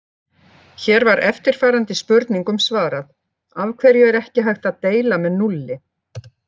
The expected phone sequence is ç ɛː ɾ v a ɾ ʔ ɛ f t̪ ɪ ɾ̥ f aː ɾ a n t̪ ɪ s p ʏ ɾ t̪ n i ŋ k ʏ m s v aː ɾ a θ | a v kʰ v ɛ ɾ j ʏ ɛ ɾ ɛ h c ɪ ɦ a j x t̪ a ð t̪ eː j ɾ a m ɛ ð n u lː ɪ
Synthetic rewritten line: ç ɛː ɾ v a ɾ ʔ ɛ f t̪ ɪ ɾ̥ f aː ɾ a n t̪ ɪ s p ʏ ɾ t̪ n i ŋ k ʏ m s v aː ɾ a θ | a v kʰ v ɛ ɾ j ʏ ɛ ɾ ɛ h c ɪ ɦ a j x t̪ a ð t̪ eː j l a m ɛ ð n u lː ɪ